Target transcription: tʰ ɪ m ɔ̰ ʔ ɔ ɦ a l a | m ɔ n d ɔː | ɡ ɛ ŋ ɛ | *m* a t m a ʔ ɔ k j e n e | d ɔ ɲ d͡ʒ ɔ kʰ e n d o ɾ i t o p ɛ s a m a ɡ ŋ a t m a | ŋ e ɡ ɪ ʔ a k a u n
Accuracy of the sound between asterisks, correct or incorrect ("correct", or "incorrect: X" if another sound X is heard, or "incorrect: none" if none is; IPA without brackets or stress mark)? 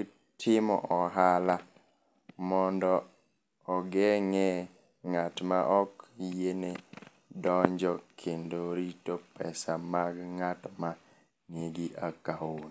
incorrect: ŋ